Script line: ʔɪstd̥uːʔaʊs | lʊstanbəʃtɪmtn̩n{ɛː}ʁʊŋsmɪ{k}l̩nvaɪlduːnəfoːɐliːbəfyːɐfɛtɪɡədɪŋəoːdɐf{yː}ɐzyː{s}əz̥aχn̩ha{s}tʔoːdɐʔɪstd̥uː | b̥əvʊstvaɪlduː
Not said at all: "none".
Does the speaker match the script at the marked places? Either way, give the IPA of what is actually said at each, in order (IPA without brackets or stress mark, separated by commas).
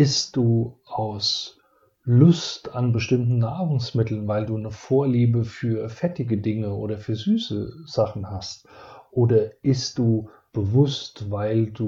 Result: aː, t, yː, s, s